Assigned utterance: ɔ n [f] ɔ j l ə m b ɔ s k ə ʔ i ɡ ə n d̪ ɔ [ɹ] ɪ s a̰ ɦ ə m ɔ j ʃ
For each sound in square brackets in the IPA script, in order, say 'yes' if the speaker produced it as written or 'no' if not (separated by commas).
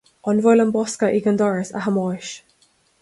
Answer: no, yes